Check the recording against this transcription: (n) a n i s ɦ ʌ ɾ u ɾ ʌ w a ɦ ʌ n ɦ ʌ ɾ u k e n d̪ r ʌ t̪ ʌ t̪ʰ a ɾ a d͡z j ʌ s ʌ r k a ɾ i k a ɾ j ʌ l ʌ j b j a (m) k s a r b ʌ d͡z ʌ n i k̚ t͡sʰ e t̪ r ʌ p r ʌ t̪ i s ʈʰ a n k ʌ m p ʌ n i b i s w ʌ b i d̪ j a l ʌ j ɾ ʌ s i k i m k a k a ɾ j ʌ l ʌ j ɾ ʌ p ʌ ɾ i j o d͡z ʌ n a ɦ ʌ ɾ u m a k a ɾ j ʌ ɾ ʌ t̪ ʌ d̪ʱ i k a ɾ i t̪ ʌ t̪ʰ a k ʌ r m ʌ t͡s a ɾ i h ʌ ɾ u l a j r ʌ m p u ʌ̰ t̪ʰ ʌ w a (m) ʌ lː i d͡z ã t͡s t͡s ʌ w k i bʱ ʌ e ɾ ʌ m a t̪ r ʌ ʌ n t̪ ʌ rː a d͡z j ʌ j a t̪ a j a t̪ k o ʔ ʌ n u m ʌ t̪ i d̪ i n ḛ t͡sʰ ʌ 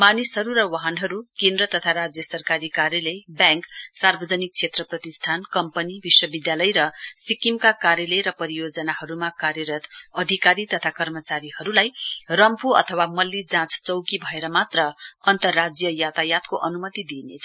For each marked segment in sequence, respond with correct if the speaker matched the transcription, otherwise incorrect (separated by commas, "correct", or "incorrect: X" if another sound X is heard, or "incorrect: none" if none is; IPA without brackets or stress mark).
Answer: incorrect: m, incorrect: ŋ, correct